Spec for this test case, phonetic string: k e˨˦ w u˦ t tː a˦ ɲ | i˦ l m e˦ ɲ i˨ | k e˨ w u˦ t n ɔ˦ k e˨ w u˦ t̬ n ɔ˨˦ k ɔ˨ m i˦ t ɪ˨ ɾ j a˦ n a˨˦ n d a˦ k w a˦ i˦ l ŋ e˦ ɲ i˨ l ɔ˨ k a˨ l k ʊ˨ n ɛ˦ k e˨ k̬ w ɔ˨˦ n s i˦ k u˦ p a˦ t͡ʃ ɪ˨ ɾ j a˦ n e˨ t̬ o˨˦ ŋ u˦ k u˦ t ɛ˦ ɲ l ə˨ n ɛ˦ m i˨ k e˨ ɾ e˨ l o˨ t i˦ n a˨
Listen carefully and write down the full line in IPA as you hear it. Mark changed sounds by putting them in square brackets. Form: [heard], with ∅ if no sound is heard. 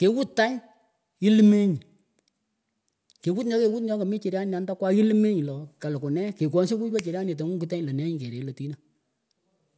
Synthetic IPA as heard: k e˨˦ w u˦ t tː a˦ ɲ | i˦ l m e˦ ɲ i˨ | k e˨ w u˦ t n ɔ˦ k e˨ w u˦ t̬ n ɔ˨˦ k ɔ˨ m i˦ [t͡ʃ] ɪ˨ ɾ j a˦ n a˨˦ n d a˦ k w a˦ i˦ l [m] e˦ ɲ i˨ l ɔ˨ k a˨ l k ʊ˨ n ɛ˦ k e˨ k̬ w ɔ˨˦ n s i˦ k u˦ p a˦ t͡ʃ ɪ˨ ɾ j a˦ n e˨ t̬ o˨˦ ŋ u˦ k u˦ t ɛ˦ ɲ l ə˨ n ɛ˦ [ɲ] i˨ k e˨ ɾ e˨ l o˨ t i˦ n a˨